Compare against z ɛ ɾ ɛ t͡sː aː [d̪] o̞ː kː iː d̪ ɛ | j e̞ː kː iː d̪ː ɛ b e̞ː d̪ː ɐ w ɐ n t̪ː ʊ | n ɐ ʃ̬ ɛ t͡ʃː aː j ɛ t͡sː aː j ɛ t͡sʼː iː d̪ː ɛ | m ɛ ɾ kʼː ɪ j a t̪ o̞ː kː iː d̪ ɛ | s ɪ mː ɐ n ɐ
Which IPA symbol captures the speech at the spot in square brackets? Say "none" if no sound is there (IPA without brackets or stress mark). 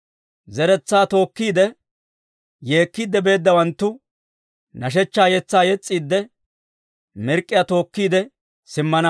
t̪